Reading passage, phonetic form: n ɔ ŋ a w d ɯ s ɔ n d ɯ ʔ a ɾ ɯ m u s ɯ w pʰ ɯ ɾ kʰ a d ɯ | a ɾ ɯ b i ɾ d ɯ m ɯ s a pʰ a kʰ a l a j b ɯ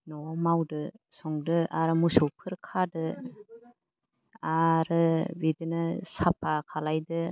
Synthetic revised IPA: n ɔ m a w d ɯ s ɔ ŋ d ɯ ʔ a ɾ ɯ m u s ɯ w pʰ ɯ ɾ kʰ a d ɯ | a ɾ ɯ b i d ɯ n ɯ s a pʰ a kʰ a l a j d ɯ